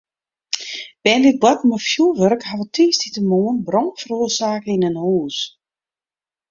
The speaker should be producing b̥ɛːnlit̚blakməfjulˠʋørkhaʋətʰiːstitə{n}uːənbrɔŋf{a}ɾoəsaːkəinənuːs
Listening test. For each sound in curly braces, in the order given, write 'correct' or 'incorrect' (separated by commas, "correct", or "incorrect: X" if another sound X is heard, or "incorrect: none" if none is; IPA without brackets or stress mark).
incorrect: m, incorrect: ə